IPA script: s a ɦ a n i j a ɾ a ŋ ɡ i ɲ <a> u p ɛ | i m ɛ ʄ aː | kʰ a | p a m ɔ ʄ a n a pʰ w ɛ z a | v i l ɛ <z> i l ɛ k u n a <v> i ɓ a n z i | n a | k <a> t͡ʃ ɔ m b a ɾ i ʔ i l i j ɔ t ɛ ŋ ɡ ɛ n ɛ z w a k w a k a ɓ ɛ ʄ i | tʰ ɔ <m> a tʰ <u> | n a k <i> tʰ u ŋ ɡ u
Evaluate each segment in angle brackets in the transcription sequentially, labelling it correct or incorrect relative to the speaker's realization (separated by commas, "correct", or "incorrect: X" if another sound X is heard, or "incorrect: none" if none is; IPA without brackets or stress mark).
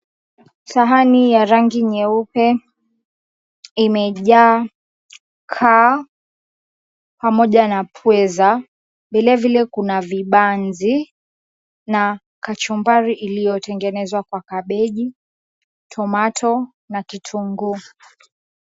incorrect: ɛ, incorrect: v, correct, correct, correct, incorrect: ɔ, correct